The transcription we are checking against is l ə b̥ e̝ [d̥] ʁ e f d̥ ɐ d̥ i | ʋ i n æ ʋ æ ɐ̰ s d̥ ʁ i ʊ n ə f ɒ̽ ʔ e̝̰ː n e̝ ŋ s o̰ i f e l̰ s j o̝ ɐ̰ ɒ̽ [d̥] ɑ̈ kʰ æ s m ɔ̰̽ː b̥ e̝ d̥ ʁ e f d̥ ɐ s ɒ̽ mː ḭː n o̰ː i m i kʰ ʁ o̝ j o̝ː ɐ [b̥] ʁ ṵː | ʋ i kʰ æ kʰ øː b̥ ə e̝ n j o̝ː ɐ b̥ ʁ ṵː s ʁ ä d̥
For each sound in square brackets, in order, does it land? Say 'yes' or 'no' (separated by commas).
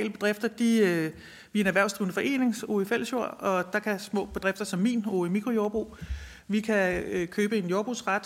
yes, yes, yes